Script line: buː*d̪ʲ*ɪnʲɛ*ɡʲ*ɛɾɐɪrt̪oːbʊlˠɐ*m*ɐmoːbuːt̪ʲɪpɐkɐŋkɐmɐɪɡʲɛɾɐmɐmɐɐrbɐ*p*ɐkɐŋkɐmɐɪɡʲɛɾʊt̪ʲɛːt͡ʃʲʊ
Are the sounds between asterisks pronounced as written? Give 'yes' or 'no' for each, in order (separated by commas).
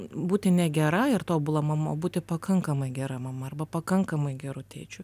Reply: no, yes, yes, yes